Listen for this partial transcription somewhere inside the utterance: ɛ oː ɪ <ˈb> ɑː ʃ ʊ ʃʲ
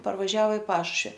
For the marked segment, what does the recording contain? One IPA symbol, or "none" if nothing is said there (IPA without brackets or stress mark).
p